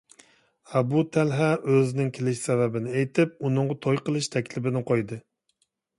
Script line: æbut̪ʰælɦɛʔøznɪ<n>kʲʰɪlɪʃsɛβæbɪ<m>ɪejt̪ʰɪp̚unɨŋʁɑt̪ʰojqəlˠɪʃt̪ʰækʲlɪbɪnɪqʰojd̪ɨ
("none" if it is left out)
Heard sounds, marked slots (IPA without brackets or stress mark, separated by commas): ŋ, n